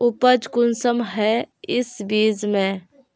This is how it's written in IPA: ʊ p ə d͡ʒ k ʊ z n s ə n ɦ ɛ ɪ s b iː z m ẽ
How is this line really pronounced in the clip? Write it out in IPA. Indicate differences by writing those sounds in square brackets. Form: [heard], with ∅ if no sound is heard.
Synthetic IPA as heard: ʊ p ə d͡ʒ k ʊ [∅] n s ə [m] ɦ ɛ ɪ s b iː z m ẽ